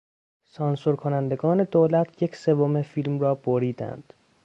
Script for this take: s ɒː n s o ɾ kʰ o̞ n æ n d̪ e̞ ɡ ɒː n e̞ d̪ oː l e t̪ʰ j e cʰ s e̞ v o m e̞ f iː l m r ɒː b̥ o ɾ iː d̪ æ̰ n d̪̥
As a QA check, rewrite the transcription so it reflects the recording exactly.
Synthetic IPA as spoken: s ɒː n s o ɾ kʰ o̞ n æ n d̪ e̞ ɡ ɒː n e̞ d̪ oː l æ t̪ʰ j e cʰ s e̞ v o m e̞ f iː l m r ɒː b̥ o ɾ iː d̪ æ̰ n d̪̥